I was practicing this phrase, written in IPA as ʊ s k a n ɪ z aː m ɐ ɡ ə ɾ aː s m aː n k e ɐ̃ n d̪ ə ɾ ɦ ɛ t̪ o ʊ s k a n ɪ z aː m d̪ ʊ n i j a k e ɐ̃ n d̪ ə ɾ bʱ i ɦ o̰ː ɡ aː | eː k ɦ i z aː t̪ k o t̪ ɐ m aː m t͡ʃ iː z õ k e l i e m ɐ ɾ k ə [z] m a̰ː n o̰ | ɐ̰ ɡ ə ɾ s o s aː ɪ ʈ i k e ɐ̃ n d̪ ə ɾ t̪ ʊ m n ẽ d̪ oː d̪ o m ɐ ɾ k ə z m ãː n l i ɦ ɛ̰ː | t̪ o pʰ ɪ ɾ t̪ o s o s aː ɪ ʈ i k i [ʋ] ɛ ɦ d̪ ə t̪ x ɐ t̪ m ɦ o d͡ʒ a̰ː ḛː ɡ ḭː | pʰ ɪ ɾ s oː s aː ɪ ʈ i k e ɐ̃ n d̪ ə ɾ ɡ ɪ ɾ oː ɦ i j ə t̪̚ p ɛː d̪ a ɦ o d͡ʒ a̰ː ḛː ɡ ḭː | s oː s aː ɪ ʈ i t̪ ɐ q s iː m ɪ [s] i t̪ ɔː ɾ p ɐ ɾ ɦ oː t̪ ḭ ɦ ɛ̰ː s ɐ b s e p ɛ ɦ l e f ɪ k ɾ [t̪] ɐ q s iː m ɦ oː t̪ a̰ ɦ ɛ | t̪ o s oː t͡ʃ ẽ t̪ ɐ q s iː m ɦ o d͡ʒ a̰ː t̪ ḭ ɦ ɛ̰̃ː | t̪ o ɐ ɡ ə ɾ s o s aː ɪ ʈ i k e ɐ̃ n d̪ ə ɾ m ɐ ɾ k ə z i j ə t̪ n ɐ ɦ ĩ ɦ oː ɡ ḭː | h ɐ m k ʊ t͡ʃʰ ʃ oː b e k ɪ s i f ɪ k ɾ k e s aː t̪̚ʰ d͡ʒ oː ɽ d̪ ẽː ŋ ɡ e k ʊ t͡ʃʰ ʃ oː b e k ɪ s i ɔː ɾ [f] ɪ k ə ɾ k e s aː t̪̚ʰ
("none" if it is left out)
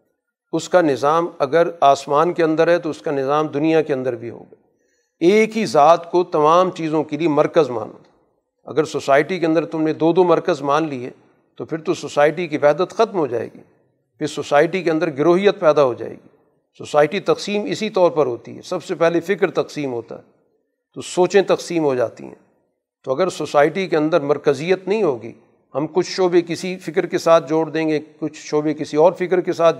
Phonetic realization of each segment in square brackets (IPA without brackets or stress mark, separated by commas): z, ʋ, s, t̪, f